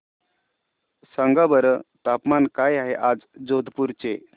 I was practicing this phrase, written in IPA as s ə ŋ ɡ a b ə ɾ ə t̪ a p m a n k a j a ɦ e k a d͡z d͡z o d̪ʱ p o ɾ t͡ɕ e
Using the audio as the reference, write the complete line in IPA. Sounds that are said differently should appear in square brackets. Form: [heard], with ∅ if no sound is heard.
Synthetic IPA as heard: s ə ŋ ɡ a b ə ɾ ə t̪ a p m a n k a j a ɦ e [ʔ] a d͡z d͡z o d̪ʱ p [u] ɾ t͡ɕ e